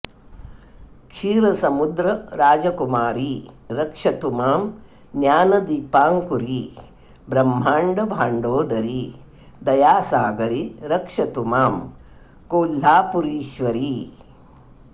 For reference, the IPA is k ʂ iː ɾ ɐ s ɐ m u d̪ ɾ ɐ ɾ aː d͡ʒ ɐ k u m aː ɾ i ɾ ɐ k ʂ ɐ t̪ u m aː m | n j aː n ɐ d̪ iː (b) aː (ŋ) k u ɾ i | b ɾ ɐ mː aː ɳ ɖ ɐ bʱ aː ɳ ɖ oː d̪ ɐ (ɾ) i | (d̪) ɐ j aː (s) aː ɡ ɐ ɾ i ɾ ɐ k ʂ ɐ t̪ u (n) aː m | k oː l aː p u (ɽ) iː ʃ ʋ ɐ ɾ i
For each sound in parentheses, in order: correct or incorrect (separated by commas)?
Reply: incorrect, correct, correct, correct, correct, incorrect, incorrect